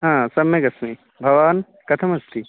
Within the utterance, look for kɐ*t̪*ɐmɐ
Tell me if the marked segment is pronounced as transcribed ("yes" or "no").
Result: no